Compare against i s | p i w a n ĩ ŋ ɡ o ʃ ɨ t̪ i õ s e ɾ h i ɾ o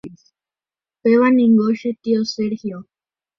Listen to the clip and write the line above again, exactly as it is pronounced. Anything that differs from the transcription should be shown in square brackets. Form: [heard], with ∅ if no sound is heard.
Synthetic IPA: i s | p [e] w a n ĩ ŋ ɡ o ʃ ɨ t̪ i [o] s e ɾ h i [∅] o